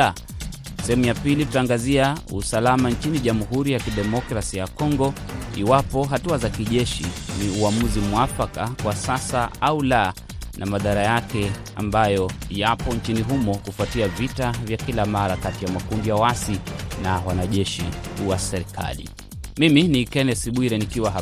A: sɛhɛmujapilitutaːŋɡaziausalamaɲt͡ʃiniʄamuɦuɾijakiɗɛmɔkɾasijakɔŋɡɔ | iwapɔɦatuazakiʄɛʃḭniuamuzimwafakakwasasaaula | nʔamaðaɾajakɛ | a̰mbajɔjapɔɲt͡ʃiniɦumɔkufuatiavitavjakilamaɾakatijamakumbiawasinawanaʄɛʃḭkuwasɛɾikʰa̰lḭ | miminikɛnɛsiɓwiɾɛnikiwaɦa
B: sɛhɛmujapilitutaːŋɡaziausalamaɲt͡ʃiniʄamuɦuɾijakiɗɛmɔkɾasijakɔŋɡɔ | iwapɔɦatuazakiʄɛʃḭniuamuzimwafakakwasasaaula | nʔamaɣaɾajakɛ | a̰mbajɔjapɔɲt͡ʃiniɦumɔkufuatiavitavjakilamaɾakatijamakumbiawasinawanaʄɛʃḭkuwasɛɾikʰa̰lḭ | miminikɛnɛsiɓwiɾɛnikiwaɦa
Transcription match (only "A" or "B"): A